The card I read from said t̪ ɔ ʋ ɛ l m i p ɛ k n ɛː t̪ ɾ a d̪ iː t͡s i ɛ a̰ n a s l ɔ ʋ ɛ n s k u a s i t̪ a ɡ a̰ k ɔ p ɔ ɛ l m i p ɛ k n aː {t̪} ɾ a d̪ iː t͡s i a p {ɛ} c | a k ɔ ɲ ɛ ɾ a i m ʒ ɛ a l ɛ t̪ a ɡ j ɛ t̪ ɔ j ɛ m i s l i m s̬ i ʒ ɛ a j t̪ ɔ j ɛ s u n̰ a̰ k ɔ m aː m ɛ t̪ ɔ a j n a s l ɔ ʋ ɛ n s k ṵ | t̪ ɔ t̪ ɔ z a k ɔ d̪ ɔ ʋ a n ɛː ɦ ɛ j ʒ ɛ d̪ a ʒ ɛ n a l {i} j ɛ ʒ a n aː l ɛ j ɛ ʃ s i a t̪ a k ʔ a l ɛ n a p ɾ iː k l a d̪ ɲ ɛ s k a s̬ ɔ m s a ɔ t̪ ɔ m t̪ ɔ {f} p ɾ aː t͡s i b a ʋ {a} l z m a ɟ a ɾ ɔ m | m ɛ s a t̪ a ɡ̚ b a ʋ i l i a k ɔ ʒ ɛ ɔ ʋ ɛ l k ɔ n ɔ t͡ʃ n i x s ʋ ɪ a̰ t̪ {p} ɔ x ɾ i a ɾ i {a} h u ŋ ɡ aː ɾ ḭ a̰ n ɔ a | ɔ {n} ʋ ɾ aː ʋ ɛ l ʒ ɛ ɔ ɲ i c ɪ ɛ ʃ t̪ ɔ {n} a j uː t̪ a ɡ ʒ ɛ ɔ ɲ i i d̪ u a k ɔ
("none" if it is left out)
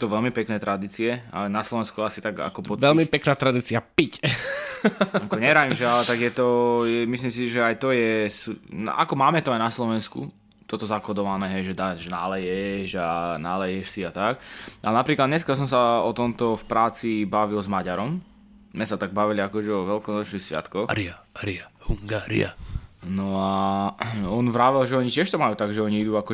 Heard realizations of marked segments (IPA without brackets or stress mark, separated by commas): t̪, i, ɛ, f, i, k, a, n, m